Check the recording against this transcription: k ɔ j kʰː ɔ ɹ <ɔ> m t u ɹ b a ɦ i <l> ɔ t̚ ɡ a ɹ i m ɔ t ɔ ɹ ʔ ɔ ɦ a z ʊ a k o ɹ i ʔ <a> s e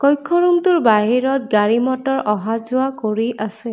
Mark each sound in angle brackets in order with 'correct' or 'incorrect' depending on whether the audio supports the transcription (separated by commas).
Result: incorrect, incorrect, correct